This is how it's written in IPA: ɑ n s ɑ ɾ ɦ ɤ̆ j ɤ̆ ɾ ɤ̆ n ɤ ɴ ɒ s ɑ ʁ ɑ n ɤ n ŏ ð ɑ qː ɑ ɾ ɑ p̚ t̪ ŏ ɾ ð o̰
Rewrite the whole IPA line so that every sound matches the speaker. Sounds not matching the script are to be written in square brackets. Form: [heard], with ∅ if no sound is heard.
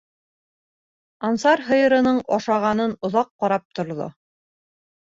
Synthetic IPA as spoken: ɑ n s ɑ ɾ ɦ ɤ̆ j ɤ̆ ɾ ɤ̆ n ɤ ɴ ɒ [ʃ] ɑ ʁ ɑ n ɤ n ŏ ð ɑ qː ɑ ɾ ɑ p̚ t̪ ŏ ɾ ð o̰